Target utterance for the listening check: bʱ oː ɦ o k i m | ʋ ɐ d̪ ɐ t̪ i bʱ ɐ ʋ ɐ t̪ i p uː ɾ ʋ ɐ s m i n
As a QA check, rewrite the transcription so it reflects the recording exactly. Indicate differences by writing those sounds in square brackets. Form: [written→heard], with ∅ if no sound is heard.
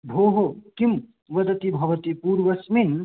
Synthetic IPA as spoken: bʱ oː ɦ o k i m | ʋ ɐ d̪ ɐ t̪ i bʱ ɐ ʋ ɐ t̪ i p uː ɾ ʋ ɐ s m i n